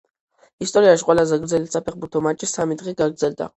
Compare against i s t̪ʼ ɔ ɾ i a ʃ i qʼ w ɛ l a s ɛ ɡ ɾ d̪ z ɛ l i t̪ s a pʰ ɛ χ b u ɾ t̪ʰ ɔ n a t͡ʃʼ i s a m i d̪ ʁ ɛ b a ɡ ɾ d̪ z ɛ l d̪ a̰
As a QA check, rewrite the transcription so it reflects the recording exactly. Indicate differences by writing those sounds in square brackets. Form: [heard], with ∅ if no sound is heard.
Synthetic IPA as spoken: i s t̪ʼ ɔ ɾ i a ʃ i qʼ w ɛ l a [z] ɛ ɡ ɾ d̪ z ɛ l i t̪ s a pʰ ɛ χ b u ɾ t̪ʰ ɔ [m] a t͡ʃʼ i s a m i d̪ ʁ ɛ [ɡ] a ɡ ɾ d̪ z ɛ l d̪ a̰